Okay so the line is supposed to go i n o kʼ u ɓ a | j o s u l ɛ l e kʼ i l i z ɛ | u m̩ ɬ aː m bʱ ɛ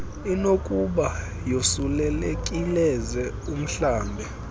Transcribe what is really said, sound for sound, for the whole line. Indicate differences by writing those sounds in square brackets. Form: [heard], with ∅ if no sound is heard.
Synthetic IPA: i n o kʼ u ɓ a | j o s u l ɛ l e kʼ i l [ɛ] z ɛ | u m̩ ɬ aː m bʱ ɛ